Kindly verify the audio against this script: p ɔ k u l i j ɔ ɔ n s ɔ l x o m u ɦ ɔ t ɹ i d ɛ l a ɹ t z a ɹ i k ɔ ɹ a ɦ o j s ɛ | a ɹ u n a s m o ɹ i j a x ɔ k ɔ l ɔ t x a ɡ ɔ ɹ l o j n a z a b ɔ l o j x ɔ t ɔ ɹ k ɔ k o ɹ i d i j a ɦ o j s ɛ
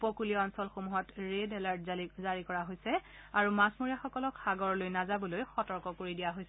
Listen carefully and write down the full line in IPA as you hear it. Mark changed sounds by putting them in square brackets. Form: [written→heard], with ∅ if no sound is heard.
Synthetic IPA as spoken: p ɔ k u l i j ɔ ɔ n s ɔ l x o m u ɦ ɔ t ɹ [i→e] d ɛ l a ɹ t z a ɹ i k ɔ ɹ a ɦ o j s ɛ | a ɹ u [n→m] a s m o ɹ i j a x ɔ k ɔ l ɔ [t→k] x a ɡ ɔ ɹ l o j n a z a b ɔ l o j x ɔ t ɔ ɹ k ɔ k o ɹ i d i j a ɦ o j s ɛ